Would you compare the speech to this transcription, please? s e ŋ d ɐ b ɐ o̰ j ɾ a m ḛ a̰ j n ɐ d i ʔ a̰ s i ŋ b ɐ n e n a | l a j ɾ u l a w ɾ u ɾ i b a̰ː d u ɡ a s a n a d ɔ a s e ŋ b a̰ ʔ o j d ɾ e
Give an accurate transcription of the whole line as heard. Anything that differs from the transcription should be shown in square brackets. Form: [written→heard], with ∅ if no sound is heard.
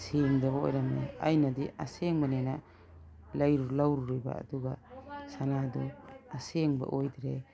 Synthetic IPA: s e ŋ d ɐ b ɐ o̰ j ɾ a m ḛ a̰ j n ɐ d i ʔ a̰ s [i→e] ŋ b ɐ n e n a | l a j ɾ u l a w ɾ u ɾ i b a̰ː d u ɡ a s a n a d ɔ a s e ŋ b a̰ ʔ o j d ɾ e